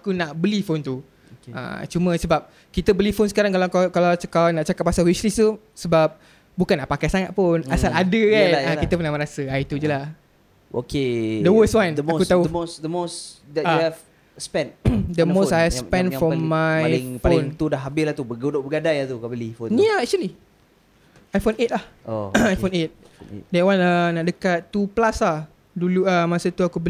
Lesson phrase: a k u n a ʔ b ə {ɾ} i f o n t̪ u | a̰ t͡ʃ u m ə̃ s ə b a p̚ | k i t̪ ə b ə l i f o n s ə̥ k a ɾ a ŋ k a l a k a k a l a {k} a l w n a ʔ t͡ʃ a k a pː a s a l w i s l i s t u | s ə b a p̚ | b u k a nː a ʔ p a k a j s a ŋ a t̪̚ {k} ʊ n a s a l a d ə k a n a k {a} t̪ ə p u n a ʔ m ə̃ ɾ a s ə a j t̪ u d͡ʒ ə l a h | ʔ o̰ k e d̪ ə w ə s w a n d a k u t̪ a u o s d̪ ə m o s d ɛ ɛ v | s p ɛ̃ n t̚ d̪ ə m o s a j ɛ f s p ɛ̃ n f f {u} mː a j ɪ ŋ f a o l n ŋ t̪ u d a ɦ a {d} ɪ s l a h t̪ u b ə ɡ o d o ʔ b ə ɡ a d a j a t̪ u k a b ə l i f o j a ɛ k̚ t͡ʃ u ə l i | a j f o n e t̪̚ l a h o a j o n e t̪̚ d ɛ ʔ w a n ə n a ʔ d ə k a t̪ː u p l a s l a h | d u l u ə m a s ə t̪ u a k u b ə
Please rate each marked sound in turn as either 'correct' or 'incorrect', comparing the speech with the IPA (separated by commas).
incorrect, correct, incorrect, incorrect, incorrect, incorrect